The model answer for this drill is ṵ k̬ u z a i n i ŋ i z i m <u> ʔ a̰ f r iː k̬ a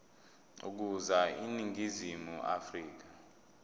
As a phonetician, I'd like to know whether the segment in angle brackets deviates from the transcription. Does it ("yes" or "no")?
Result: no